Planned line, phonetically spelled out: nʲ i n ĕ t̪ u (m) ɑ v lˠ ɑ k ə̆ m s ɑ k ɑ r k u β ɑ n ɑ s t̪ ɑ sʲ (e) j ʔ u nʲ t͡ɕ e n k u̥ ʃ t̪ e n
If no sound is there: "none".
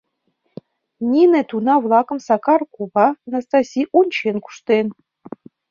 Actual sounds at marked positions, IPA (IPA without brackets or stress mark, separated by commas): n, i